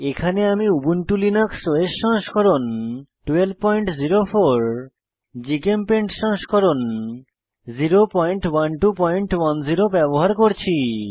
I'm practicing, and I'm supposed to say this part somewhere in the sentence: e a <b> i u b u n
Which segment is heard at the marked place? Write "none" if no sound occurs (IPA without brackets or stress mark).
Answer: m